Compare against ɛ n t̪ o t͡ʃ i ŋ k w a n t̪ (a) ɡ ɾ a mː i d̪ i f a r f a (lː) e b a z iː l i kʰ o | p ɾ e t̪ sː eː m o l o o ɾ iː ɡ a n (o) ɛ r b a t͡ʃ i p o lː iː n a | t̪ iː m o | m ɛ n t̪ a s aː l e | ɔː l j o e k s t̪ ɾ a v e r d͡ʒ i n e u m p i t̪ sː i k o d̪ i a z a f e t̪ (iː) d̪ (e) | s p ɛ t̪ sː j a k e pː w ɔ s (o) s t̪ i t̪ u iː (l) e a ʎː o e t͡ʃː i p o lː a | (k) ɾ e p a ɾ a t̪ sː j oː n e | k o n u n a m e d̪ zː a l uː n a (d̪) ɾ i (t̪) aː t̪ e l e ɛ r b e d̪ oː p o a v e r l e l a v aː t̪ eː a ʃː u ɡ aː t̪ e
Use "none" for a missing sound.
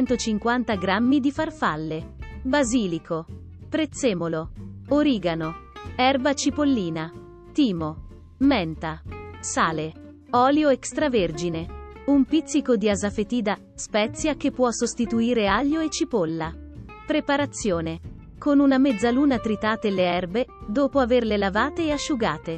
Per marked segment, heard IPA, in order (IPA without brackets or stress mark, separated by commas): a, lː, o, iː, a, o, ɾ, p, t̪, t̪